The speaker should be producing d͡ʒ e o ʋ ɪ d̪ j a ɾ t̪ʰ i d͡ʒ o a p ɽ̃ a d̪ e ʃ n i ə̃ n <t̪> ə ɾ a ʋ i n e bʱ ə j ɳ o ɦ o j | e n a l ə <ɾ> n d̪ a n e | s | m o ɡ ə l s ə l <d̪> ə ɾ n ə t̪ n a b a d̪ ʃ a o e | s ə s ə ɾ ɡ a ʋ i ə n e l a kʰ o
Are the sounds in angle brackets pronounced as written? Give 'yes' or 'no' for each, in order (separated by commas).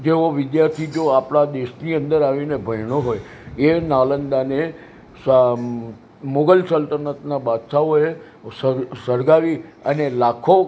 no, no, no